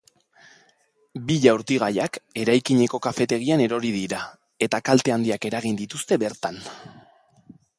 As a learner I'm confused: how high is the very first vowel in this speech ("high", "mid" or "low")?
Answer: high